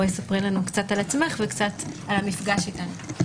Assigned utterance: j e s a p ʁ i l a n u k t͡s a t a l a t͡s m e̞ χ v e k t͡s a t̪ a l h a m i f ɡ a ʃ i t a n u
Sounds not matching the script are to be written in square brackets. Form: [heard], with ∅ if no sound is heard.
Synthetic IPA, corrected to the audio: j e s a p ʁ i l a n u k t͡s a t a l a t͡s m e̞ χ v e k t͡s a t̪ a l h a m i f ɡ a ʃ i t a n u